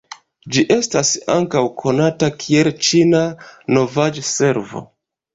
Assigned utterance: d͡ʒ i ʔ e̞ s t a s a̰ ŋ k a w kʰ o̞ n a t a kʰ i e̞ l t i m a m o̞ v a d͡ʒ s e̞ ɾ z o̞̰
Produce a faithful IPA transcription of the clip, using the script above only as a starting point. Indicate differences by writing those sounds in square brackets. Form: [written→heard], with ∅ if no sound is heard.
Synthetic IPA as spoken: d͡ʒ i ʔ e̞ s t a s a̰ ŋ k a w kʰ o̞ n a t a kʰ i e̞ l [t→t͡ʃ] i [m→n] a [m→n] o̞ v a d͡ʒ s e̞ ɾ [z→v] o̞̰